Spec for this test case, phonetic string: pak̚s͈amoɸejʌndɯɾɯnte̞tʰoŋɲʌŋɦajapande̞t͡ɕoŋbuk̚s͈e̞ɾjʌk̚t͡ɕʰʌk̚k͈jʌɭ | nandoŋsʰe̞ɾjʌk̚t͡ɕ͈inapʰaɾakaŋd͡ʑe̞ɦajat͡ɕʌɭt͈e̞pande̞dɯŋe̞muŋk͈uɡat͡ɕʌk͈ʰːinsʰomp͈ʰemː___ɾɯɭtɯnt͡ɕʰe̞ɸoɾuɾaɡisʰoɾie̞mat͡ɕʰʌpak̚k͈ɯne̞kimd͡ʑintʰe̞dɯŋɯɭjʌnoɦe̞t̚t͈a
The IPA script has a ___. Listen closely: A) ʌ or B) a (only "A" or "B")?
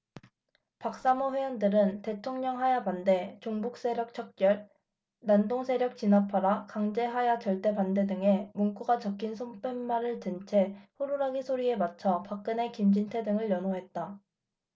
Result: B